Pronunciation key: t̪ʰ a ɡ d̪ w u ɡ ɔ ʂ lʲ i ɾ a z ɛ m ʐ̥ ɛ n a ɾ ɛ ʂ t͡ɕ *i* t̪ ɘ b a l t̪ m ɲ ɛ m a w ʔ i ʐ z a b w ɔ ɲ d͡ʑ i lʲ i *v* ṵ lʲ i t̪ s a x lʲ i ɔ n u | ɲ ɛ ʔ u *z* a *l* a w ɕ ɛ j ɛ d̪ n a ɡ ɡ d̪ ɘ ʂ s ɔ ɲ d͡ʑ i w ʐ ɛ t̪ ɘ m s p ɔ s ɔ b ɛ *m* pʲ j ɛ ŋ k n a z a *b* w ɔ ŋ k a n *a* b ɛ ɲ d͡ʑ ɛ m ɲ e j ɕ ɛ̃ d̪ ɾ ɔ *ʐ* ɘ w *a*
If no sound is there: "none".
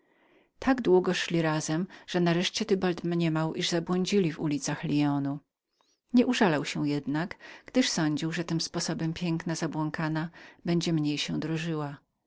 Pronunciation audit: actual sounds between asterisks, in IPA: ɛ, v, ʐ, l, m, b, a, ʐ, a

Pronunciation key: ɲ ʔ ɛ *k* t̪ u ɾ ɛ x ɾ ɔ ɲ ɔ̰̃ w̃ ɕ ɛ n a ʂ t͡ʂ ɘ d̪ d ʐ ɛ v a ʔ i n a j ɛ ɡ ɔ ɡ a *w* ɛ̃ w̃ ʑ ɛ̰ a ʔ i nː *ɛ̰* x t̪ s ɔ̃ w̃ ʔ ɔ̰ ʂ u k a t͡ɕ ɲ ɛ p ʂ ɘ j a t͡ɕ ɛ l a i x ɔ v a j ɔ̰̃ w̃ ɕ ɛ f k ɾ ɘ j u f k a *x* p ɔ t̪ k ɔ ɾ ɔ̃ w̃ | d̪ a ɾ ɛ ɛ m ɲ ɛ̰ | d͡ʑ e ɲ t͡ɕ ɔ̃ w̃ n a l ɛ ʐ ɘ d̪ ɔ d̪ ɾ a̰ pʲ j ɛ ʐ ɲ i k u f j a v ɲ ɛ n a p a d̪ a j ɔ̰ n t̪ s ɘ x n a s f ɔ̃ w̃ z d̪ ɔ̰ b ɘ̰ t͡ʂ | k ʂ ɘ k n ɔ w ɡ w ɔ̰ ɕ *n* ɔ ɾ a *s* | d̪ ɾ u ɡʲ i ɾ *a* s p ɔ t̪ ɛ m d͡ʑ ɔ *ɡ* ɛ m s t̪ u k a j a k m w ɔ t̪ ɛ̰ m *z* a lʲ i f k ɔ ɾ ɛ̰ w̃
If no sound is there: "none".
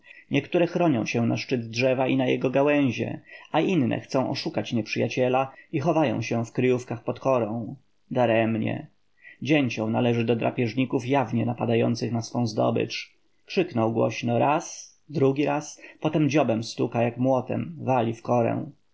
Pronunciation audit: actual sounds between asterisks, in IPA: k, w, ɛ̰, x, n, s, a, b, v

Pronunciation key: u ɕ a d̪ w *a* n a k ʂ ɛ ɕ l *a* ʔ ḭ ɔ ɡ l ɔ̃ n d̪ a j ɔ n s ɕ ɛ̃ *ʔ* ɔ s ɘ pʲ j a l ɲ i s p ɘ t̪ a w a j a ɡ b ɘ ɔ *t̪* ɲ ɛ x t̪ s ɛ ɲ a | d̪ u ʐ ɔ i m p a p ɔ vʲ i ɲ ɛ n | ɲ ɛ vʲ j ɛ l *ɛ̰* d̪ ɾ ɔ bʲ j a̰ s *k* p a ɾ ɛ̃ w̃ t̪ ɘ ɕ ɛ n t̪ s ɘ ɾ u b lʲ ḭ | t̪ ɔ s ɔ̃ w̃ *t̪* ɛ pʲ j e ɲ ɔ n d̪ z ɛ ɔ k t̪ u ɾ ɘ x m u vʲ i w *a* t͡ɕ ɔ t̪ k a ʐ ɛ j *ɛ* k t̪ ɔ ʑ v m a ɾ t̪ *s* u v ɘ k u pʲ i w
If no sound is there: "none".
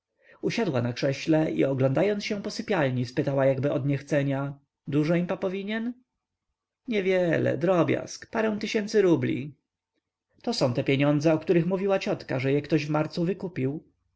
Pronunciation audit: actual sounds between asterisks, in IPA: a, ɛ, p, d̪, ɛ̰, k, t̪, a, ɛ, s

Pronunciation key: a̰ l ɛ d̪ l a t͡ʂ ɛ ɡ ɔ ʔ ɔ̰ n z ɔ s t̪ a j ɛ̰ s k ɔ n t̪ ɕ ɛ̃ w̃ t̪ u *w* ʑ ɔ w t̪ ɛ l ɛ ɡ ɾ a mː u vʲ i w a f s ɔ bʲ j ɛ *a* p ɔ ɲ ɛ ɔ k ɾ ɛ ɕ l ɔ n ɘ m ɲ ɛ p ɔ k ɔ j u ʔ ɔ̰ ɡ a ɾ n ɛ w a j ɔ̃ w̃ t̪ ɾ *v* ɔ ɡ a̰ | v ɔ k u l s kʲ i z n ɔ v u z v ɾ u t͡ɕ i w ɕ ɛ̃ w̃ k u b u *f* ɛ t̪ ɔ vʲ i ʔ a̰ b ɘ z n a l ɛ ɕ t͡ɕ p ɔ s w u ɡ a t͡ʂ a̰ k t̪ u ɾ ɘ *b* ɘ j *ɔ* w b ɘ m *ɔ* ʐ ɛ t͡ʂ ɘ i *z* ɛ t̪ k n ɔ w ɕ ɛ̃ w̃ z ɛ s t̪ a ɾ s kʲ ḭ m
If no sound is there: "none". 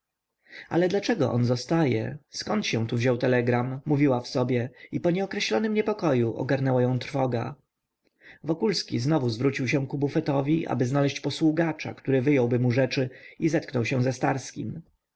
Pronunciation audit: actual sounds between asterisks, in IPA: v, i, f, f, v, ɔ, u, z

